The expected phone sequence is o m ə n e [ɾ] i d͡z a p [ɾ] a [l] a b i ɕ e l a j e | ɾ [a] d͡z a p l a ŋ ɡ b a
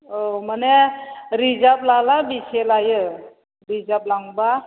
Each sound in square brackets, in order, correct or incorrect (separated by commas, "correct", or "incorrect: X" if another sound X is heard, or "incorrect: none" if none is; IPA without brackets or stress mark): correct, incorrect: l, correct, incorrect: i